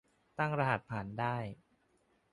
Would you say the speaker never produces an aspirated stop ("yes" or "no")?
no